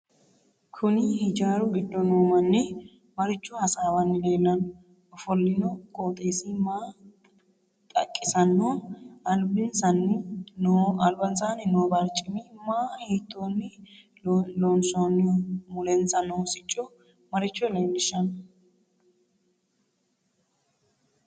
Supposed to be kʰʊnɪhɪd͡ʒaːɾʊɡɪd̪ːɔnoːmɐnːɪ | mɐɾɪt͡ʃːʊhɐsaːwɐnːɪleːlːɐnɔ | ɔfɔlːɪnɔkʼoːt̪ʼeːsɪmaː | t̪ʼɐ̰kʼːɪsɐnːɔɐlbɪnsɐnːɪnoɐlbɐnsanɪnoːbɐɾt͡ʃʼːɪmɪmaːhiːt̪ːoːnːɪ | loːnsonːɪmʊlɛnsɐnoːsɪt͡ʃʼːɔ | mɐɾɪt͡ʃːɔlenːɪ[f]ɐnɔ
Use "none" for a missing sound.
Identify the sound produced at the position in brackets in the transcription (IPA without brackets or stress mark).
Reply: ʃ